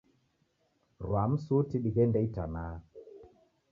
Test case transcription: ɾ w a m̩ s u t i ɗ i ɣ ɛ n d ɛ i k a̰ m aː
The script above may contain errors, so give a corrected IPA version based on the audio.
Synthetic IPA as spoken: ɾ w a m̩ s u t i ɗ i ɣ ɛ n d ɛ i t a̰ n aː